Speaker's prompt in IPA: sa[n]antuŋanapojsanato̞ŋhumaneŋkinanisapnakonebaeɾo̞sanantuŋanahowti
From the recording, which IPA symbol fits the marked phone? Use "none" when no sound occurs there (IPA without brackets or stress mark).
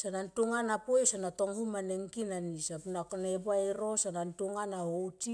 n